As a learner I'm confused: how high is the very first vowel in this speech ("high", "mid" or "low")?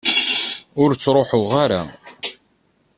high